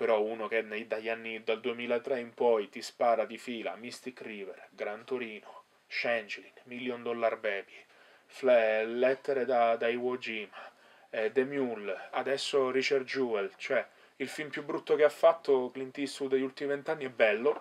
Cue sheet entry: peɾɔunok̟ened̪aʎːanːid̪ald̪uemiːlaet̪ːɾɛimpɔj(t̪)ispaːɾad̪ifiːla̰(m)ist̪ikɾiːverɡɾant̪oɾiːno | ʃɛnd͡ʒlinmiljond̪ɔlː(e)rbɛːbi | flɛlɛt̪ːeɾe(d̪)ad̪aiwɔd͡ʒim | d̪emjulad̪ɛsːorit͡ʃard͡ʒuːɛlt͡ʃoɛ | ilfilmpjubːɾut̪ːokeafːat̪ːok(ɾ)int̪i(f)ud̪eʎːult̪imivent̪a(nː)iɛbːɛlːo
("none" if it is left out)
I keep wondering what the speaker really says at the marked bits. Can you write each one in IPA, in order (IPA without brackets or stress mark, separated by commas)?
t̪, m, a, d̪, l, s, nː